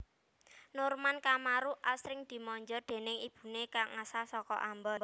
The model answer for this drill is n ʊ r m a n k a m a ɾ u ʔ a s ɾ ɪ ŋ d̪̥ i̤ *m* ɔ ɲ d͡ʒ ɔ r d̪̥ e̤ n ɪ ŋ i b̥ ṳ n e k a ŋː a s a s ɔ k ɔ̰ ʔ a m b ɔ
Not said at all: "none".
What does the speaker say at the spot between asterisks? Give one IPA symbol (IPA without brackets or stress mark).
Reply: m